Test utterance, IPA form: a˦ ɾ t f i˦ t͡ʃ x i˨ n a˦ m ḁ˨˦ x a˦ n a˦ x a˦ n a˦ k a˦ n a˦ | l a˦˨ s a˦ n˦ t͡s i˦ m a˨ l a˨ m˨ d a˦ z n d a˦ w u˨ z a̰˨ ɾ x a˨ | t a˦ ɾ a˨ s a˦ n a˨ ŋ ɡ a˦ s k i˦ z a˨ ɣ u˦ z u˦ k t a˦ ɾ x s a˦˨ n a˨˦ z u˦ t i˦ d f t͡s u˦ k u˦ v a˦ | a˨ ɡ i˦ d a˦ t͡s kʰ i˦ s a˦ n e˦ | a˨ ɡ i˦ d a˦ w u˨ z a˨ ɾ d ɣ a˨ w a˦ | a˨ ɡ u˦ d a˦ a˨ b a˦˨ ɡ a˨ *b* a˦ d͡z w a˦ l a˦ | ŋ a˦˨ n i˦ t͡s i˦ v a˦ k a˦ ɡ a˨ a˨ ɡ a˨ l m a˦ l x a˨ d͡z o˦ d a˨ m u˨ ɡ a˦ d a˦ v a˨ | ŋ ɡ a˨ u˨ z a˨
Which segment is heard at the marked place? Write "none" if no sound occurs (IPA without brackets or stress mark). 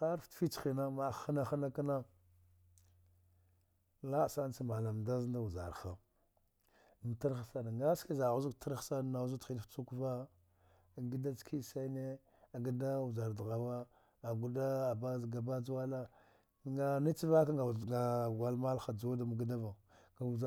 b